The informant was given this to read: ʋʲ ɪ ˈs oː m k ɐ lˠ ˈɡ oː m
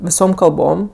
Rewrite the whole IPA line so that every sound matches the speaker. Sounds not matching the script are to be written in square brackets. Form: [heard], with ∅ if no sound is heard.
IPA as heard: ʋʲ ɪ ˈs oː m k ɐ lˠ [ˈb] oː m